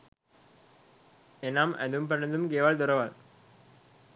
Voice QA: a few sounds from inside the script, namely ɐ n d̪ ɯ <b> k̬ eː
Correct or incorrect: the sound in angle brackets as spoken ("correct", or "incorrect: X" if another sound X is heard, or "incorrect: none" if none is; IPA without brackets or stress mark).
incorrect: m